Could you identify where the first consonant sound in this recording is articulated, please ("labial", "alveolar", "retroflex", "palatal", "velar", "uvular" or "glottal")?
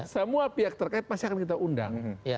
alveolar